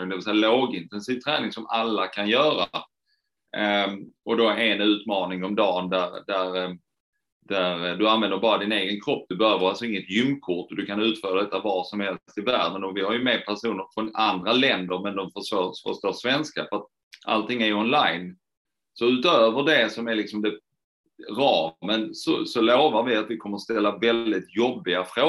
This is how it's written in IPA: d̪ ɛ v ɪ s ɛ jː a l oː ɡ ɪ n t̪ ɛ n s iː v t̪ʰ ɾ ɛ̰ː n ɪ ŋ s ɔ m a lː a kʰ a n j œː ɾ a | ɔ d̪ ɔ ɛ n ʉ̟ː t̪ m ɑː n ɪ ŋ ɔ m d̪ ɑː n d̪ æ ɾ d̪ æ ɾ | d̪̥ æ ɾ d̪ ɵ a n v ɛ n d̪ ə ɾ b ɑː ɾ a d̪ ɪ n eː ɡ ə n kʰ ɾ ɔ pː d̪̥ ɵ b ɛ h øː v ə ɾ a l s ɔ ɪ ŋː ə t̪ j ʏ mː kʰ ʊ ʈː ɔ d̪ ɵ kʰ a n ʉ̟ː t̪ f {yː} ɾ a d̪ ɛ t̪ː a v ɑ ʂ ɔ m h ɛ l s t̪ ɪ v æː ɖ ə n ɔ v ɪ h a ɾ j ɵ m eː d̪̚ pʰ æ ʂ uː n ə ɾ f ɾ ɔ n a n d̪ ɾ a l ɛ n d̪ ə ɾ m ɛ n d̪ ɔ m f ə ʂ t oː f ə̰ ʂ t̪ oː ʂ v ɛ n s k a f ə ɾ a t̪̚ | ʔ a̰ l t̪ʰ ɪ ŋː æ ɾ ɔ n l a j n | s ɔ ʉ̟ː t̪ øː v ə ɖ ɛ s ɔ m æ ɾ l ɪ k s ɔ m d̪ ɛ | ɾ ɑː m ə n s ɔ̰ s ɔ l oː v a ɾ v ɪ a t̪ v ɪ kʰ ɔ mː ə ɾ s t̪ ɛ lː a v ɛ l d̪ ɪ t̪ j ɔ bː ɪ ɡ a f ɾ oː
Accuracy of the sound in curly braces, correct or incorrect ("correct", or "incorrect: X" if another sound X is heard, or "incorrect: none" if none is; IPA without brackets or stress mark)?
incorrect: œː